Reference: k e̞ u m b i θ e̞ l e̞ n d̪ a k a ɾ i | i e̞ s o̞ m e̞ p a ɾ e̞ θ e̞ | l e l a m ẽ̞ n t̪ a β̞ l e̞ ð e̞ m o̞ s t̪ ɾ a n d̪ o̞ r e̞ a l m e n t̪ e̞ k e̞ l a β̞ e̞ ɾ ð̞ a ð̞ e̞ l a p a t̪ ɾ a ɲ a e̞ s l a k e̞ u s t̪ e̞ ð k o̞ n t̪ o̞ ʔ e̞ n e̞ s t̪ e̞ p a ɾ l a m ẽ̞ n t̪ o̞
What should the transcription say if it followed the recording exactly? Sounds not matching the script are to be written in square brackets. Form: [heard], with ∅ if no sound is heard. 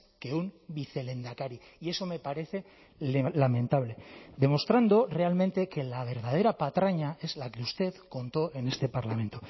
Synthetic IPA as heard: k e̞ u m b i θ e̞ l e̞ n d̪ a k a ɾ i | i e̞ s o̞ m e̞ p a ɾ e̞ θ e̞ | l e l a m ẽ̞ n t̪ a β̞ l e̞ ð e̞ m o̞ s t̪ ɾ a n d̪ o̞ r e̞ a l m e n t̪ e̞ k e̞ l a β̞ e̞ ɾ ð̞ a ð̞ e̞ [ɾ] a p a t̪ ɾ a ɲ a e̞ [z] l a k e̞ u s t̪ e̞ ð k o̞ n t̪ o̞ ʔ e̞ n e̞ s t̪ e̞ p a ɾ l a m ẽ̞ n t̪ o̞